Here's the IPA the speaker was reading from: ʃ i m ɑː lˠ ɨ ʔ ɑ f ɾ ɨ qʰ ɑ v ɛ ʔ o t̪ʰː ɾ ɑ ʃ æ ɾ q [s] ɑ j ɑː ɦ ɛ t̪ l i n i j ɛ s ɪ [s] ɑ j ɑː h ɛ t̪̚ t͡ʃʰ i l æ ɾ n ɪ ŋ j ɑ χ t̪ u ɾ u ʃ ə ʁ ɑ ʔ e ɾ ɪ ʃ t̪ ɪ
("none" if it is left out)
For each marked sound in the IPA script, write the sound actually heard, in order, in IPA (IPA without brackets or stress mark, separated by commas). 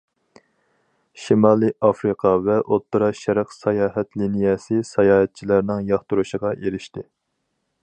s, s